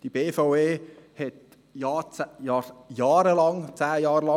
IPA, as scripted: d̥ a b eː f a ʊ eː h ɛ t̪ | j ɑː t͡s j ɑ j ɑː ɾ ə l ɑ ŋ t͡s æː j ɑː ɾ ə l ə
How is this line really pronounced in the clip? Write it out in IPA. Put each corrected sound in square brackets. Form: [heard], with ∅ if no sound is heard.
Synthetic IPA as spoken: d̥ [i] b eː f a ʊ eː h ɛ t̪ | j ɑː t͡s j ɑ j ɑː ɾ ə l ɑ ŋ t͡s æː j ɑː ɾ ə l [ɑ]